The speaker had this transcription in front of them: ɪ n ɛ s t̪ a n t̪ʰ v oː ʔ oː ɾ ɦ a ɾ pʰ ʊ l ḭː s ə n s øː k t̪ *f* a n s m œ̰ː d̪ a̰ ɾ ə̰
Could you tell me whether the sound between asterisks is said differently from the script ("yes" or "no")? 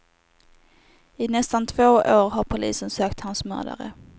yes